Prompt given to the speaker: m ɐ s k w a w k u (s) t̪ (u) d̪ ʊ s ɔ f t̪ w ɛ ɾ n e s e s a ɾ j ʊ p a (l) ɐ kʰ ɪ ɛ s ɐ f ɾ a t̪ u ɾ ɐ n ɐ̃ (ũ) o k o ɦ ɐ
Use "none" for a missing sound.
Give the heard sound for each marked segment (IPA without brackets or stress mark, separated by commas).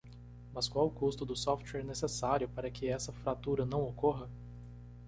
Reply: s, ʊ, ɾ, w̃